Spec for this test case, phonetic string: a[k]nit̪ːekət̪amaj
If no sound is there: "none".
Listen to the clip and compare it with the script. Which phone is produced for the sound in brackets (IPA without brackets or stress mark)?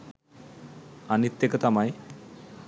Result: none